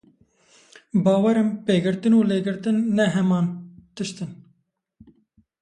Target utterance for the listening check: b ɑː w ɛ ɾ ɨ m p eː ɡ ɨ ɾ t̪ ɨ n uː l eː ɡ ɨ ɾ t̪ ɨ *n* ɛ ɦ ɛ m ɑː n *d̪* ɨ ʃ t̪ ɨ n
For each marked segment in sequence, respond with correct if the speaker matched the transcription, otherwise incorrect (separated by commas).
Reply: incorrect, incorrect